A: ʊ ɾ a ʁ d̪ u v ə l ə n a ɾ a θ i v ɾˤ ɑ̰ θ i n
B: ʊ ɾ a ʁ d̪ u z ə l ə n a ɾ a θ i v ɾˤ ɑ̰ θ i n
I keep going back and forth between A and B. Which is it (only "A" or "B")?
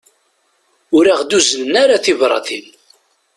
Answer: B